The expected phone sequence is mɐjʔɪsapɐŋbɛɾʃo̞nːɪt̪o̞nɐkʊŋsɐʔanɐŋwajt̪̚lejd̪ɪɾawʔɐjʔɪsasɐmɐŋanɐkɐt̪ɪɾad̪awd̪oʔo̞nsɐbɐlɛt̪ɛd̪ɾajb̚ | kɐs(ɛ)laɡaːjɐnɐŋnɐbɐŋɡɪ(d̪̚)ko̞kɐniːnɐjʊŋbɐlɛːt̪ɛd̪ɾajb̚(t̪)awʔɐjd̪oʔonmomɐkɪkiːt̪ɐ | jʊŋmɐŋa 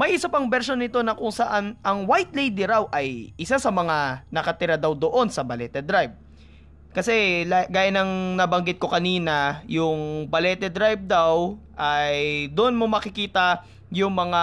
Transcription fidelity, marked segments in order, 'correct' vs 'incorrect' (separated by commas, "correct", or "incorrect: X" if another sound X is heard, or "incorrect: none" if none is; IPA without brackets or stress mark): correct, incorrect: t̪̚, incorrect: d̪